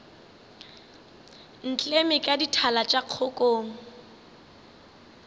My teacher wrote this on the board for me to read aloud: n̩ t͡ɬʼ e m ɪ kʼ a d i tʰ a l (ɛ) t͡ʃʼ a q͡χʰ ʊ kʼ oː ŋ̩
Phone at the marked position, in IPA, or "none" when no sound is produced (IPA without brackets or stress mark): a